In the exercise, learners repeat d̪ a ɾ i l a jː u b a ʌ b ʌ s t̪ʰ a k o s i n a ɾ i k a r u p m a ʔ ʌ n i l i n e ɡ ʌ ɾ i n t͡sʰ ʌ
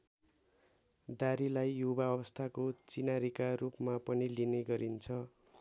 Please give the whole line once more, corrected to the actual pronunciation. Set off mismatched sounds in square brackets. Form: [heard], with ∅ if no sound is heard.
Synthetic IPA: d̪ a ɾ i l a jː u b a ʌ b ʌ s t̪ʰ a k o [t͡s] i n a ɾ i k a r u p m a [p] ʌ n i l i n e ɡ ʌ ɾ i n t͡sʰ ʌ